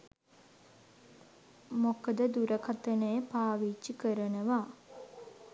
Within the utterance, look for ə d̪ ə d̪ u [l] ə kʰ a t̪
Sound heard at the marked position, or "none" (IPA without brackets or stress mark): ɾ